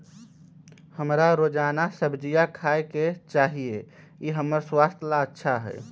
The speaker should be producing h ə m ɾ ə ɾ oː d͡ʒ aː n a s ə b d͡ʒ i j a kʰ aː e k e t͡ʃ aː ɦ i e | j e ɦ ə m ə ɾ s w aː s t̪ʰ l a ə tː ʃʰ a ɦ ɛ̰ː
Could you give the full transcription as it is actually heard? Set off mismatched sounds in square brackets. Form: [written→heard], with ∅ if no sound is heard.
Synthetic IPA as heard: h ə m ɾ [ə→a] ɾ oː d͡ʒ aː n a s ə b d͡ʒ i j a kʰ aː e k e t͡ʃ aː ɦ i e | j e ɦ ə m ə ɾ s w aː s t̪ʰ l a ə tː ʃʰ a ɦ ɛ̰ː